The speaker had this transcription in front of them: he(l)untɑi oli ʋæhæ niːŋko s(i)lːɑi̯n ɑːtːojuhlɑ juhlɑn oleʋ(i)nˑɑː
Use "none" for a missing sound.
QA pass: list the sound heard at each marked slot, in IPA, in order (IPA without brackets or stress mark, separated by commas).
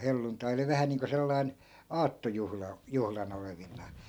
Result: lː, e, i